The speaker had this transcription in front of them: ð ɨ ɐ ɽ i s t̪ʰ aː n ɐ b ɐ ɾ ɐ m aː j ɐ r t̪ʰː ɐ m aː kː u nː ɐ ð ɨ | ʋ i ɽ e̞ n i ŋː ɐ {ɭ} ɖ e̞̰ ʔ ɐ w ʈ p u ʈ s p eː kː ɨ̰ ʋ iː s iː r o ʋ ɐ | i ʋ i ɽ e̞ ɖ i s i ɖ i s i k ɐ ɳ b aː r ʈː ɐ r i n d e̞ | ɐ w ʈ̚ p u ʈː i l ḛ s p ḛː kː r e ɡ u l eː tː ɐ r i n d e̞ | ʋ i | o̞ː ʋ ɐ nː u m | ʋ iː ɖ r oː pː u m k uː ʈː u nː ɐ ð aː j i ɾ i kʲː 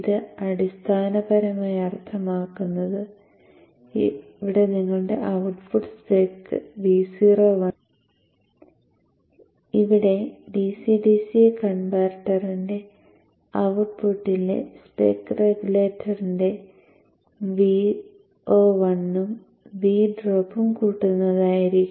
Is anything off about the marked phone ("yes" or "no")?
no